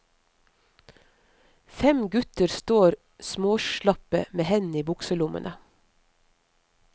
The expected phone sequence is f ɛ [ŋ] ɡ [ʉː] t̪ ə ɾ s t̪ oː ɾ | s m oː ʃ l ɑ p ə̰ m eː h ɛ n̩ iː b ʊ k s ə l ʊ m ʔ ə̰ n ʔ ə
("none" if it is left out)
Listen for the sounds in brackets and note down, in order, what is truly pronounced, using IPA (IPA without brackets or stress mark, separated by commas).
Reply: m, ʉ